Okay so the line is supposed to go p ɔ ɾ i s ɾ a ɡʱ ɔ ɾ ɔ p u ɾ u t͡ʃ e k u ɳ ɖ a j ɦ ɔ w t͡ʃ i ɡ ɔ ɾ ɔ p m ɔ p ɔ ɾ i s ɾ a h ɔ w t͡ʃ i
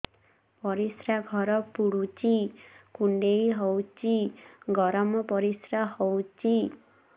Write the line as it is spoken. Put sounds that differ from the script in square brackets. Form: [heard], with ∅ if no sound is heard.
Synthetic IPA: p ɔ ɾ i s ɾ a ɡʱ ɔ ɾ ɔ p u [ɽ] u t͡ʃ [i] k u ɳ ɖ [e] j ɦ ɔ w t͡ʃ i ɡ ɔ ɾ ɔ [∅] m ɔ p ɔ ɾ i s ɾ a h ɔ w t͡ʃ i